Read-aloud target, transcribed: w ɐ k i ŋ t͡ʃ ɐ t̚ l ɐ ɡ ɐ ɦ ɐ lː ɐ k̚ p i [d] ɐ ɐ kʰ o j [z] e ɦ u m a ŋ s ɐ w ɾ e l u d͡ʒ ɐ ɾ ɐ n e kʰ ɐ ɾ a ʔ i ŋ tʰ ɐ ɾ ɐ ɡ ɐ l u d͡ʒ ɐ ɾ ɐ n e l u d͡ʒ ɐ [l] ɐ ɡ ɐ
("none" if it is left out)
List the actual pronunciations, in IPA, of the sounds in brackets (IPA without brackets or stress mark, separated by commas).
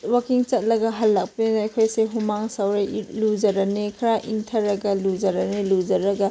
n, s, ɾ